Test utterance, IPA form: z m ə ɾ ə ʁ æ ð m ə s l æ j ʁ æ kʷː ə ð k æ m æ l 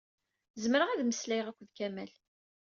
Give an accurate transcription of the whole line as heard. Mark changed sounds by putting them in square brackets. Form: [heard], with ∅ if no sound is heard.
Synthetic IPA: z m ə ɾ ə ʁ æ ð m ə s l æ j ʁ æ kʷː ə ð k æ m æ l